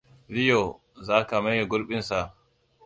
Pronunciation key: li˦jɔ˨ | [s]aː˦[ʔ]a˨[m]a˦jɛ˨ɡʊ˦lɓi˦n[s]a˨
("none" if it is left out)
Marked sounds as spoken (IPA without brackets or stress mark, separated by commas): z, k, m, s